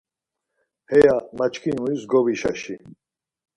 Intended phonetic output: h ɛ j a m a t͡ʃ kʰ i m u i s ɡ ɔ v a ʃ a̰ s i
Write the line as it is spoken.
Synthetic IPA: h ɛ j a m a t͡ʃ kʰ i n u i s ɡ ɔ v i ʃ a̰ ʃ i